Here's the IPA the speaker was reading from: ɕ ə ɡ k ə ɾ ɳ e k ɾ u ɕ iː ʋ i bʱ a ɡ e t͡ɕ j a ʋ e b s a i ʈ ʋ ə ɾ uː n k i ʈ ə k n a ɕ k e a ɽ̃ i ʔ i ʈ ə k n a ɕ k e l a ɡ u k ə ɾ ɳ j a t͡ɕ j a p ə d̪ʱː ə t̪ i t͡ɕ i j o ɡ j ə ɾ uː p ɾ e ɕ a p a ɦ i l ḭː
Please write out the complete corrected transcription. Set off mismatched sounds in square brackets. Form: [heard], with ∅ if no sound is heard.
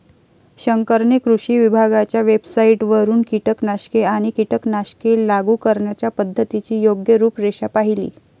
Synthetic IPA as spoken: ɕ ə [ŋ] k ə ɾ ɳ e k ɾ u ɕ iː ʋ i bʱ a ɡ [a] t͡ɕ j a ʋ e b s a i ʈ ʋ ə ɾ uː n k i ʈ ə k n a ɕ k e a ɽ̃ i [k] i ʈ ə k n a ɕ k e l a ɡ u k ə ɾ ɳ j a t͡ɕ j a p ə d̪ʱː ə t̪ i t͡ɕ [iː] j o ɡ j ə ɾ uː p ɾ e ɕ a p a ɦ i l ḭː